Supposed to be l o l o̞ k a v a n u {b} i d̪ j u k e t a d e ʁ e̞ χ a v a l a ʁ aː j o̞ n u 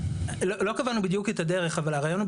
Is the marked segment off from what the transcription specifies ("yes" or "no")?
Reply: no